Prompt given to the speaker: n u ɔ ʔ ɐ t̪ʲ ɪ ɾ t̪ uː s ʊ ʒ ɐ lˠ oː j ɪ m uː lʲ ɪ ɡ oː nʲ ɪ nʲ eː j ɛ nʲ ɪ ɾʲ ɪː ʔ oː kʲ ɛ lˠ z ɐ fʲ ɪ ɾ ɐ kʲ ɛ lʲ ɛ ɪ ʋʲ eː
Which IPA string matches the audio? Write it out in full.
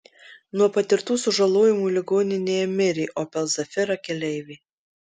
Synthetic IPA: n u ɔ p ɐ t̪ʲ ɪ ɾ t̪ uː s ʊ ʒ ɐ lˠ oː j ɪ m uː lʲ ɪ ɡ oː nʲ ɪ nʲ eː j ɛ mʲ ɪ ɾʲ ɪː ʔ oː pʲ ɛ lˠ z ɐ fʲ ɪ ɾ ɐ kʲ ɛ lʲ ɛ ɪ ʋʲ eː